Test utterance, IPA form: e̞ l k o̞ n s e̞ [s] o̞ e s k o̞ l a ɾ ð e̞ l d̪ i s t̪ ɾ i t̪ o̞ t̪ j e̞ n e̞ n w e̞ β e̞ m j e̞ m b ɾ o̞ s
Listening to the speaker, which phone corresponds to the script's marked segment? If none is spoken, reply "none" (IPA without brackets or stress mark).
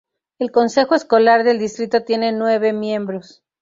x